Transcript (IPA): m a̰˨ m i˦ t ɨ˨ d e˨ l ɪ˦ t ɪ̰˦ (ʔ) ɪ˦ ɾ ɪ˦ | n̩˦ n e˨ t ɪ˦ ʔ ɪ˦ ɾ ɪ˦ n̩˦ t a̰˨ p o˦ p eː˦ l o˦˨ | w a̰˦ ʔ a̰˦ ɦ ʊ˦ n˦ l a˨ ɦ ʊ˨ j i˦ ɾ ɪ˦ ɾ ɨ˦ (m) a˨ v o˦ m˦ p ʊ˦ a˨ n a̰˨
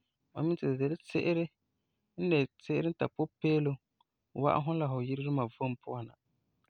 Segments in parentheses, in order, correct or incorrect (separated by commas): correct, correct